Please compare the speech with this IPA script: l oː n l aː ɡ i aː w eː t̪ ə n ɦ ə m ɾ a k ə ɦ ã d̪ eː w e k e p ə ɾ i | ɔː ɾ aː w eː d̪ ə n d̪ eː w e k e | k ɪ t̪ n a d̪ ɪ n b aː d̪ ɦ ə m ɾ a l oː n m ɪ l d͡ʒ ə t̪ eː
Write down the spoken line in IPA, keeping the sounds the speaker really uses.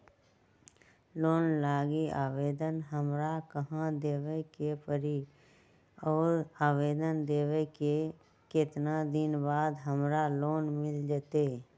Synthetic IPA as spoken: l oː n l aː ɡ i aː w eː d̪ ə n ɦ ə m ɾ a k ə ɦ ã d̪ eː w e k e p ə ɾ i | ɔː ɾ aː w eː d̪ ə n d̪ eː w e k e | k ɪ t̪ n a d̪ ɪ n b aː d̪ ɦ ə m ɾ a l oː n m ɪ l d͡ʒ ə t̪ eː